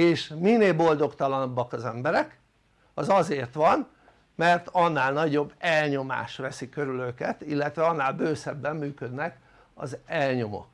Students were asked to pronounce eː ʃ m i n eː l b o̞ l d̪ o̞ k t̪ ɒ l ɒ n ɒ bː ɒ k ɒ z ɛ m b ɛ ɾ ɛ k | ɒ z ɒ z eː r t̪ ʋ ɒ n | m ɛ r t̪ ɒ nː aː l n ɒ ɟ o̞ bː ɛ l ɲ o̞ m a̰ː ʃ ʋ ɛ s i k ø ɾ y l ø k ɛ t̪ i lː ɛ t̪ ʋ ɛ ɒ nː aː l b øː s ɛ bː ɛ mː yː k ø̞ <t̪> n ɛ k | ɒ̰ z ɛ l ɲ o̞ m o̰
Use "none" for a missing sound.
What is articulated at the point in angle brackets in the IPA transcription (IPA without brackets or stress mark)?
d̪